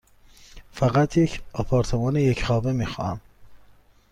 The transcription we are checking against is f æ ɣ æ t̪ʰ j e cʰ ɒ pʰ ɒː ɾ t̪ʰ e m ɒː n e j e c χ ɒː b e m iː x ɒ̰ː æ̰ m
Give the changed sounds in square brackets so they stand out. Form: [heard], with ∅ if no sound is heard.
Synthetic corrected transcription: f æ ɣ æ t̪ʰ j e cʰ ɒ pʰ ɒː ɾ t̪ʰ e m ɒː n e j e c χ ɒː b e m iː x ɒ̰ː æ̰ m